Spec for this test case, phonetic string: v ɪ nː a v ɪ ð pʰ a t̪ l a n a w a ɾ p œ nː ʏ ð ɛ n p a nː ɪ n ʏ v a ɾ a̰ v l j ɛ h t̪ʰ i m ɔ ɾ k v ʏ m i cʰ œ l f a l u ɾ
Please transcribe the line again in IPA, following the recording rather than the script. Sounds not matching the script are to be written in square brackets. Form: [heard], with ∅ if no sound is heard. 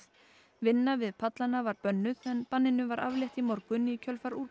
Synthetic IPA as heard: v ɪ nː a v ɪ ð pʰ a t̪ l a n a [v] a ɾ p œ nː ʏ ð ɛ n p a nː ɪ n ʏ v a ɾ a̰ v l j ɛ h [t̪] i m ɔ ɾ k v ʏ [n] i cʰ œ l f a [ɾ] u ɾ